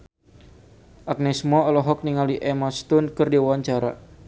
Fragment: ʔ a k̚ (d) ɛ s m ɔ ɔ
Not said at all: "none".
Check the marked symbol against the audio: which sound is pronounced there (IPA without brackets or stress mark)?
n